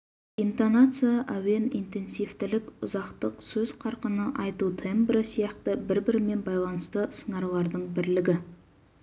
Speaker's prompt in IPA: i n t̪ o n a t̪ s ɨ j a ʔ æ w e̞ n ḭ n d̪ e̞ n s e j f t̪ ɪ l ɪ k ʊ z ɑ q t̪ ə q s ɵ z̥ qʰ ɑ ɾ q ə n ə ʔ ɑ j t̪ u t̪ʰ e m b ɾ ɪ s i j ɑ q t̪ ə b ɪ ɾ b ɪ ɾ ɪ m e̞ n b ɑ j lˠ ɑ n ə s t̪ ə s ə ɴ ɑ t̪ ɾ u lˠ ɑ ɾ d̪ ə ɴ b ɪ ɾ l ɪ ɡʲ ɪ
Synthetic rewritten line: i n t̪ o n a t̪ s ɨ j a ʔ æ w e̞ n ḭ n t̪ e̞ n s i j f t̪ ɪ l ɪ k ʊ z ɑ q t̪ ə q s ɵ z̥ qʰ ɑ ɾ q ə n ə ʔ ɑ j t̪ u t̪ʰ e m b ɾ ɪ s i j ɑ q t̪ ə b ɪ ɾ b ɪ ɾ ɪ m e̞ n b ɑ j lˠ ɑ n ə s t̪ ə s ə ɴ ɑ ɾ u lˠ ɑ ɾ d̪ ə ɴ b ɪ ɾ l ɪ ɡʲ ɪ